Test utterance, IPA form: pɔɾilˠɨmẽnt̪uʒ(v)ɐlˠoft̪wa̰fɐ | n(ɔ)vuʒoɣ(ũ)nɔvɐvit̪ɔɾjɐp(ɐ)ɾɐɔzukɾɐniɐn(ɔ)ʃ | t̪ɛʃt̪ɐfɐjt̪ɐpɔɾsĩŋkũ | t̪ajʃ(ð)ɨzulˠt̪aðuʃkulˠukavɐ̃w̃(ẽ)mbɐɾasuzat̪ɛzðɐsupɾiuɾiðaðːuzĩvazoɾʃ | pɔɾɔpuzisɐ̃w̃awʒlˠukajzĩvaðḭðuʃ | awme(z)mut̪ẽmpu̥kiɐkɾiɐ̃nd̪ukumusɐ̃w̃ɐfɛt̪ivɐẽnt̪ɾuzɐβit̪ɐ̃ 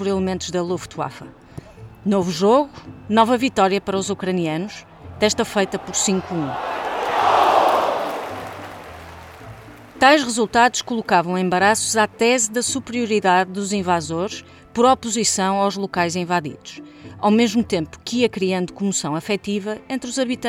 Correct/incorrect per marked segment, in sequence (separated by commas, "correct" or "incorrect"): incorrect, incorrect, incorrect, correct, incorrect, incorrect, correct, incorrect